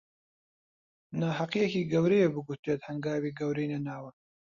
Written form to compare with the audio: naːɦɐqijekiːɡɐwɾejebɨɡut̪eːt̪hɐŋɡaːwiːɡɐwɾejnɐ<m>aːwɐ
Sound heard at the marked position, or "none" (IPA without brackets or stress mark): n